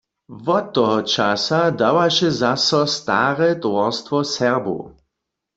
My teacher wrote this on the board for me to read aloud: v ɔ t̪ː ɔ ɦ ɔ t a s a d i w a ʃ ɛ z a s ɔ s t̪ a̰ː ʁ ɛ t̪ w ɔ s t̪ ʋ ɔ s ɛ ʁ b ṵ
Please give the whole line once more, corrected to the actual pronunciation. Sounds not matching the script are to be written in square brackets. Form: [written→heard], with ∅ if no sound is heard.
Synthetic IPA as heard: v ɔ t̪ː ɔ ɦ ɔ [t→t͡ʃ] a s a d [i→a] w a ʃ ɛ z a s ɔ s t̪ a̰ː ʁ ɛ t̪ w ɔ s t̪ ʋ ɔ s ɛ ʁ b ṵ